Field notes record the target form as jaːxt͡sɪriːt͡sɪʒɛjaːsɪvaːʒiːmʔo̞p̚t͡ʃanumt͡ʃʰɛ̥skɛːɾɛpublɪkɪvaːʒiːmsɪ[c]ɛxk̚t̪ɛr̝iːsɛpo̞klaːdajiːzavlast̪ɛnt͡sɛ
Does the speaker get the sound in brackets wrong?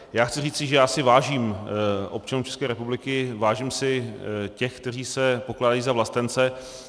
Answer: no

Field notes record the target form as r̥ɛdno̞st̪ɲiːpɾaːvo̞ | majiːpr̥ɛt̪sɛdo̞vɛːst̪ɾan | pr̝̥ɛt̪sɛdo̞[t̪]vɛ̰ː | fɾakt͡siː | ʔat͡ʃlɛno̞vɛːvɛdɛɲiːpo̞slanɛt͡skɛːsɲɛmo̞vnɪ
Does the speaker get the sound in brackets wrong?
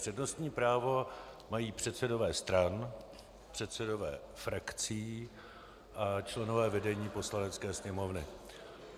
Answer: yes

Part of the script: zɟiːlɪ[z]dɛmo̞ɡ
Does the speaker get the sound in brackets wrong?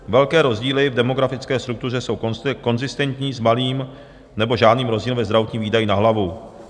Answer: yes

